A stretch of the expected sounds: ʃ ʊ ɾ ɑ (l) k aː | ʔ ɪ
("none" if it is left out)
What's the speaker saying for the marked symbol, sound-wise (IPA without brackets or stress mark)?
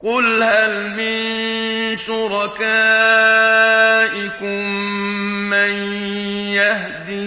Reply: none